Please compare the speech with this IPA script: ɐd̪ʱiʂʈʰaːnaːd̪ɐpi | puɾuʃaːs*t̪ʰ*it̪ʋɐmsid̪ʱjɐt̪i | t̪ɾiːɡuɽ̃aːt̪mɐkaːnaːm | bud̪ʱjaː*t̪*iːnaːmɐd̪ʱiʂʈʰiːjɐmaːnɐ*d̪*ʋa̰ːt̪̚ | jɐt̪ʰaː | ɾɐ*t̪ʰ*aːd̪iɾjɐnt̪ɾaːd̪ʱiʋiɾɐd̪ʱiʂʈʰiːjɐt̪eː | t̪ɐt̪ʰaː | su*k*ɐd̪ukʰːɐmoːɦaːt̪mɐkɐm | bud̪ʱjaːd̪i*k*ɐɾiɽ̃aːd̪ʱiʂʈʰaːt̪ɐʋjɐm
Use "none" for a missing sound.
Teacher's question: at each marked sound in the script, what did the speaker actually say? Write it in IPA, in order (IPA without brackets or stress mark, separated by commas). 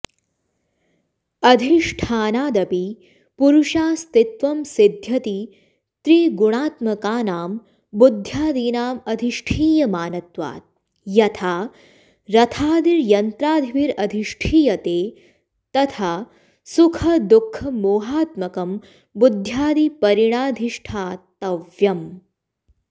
t̪, d̪, t̪, t̪ʰ, kʰ, p